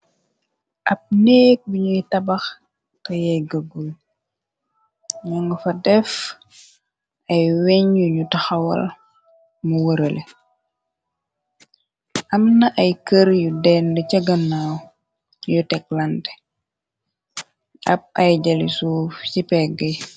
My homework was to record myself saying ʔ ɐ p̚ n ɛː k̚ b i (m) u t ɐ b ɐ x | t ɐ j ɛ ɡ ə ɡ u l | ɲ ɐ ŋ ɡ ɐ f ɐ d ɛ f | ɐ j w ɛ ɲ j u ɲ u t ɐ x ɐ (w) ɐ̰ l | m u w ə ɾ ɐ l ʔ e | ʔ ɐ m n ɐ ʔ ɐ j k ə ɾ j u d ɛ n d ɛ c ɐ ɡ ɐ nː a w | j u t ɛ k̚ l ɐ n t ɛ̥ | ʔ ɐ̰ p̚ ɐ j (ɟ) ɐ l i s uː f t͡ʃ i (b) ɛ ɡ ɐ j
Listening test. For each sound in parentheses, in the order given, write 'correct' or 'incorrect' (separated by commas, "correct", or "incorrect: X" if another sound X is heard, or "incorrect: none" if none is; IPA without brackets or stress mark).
incorrect: ɲ, correct, correct, incorrect: p